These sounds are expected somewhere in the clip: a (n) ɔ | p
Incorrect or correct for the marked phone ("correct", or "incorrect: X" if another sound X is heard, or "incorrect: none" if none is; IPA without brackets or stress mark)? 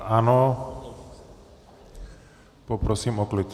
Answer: correct